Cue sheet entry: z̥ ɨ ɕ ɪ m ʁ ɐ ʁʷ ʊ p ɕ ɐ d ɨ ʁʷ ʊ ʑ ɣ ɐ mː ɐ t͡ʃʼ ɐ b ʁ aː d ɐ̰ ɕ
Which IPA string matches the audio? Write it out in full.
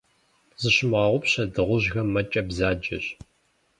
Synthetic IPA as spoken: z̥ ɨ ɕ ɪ m ʁ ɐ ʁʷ ʊ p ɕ ɐ d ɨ ʁʷ ʊ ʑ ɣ ɐ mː ɐ t͡ʃʼ ɐ b z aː d͡ʒ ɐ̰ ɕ